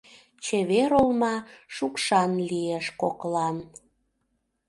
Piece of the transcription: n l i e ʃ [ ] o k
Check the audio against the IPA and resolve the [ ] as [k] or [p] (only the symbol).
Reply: k